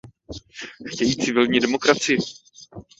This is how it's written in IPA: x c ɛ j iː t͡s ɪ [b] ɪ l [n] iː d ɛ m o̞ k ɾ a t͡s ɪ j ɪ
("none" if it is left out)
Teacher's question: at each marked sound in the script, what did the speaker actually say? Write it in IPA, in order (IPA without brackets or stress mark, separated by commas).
v, ɲ